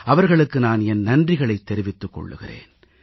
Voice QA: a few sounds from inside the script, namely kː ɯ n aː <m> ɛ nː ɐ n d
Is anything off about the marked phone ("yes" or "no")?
yes